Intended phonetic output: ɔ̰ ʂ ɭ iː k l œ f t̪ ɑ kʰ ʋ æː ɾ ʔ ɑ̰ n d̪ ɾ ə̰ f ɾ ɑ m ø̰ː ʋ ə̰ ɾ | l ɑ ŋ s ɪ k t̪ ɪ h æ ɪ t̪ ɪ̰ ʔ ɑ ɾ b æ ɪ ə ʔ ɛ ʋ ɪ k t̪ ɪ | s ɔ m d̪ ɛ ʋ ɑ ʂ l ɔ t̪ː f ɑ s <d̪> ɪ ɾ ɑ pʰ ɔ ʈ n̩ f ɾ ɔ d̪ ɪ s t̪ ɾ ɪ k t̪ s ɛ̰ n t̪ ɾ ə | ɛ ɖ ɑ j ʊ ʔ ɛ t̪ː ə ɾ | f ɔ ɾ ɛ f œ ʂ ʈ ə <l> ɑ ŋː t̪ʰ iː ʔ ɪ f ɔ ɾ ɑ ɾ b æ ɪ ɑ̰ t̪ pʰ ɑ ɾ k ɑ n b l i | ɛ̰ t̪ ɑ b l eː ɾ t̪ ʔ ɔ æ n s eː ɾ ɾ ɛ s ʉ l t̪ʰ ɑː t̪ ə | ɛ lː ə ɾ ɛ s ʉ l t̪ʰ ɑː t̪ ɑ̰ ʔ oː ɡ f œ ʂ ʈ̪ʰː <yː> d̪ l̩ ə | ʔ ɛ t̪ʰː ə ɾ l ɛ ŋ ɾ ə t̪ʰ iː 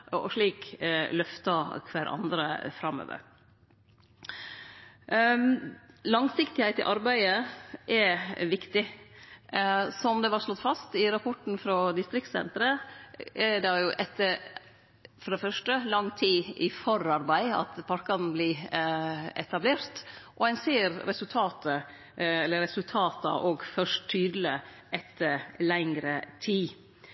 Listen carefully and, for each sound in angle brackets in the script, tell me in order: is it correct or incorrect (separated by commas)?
incorrect, correct, correct